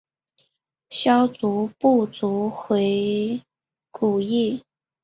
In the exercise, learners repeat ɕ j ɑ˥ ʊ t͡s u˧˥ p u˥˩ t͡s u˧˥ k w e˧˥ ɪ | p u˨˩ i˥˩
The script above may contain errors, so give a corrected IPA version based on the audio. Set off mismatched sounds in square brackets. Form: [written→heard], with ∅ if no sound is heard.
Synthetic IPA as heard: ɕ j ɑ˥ ʊ t͡s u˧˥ p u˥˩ t͡s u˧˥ [k→x] w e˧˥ ɪ | [p→k] u˨˩ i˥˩